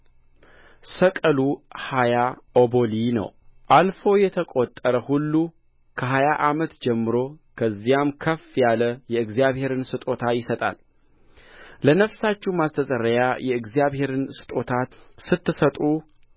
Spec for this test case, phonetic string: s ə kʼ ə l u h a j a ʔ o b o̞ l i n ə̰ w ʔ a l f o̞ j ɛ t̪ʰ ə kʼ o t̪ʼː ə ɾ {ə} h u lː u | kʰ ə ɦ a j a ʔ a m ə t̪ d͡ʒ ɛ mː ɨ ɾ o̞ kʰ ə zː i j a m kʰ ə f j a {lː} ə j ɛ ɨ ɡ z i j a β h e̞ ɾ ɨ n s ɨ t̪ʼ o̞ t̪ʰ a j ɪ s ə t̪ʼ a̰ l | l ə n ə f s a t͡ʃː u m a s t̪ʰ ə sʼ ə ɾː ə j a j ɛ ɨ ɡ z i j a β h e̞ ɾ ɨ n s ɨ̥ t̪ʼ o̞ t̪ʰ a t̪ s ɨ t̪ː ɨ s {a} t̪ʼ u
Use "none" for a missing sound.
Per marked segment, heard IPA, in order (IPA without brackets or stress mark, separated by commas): ə, l, ə